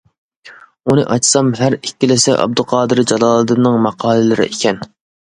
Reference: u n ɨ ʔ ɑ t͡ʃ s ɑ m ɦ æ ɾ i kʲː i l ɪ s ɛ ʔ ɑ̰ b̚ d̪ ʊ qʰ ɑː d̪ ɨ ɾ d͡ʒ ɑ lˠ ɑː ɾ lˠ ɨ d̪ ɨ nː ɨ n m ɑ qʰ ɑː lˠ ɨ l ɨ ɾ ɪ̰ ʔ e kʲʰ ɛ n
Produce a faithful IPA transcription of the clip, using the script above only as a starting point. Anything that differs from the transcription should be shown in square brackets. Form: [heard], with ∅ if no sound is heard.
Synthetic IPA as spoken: u n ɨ ʔ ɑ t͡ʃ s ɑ m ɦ æ ɾ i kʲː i l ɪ s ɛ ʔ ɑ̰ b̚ d̪ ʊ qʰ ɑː d̪ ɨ ɾ d͡ʒ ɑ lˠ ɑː [∅] lˠ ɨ d̪ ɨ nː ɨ [ŋ] m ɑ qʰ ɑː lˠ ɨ l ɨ ɾ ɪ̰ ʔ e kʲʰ ɛ n